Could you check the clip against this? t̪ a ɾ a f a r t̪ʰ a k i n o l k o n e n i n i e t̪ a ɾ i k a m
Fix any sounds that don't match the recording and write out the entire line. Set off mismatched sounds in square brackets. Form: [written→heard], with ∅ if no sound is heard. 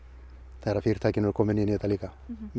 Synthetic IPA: t̪ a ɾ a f [a→i] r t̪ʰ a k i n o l k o [n→m] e n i n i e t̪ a [ɾ→l] i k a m